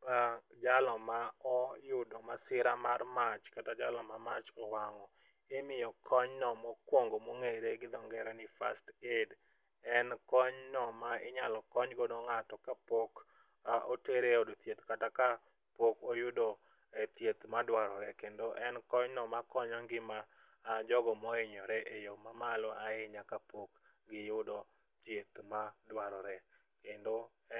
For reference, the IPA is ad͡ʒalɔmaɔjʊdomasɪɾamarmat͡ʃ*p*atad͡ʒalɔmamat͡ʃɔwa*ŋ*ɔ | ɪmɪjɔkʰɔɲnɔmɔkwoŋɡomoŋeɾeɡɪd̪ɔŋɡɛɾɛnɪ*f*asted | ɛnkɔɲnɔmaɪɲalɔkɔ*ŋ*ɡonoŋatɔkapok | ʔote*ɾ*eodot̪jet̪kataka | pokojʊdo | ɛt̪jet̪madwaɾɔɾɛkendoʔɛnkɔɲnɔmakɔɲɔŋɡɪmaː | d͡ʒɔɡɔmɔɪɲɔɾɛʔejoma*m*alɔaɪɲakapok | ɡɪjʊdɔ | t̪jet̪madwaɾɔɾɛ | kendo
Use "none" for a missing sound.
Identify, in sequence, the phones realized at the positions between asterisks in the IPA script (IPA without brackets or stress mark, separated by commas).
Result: k, ŋ, f, ɲ, ɾ, m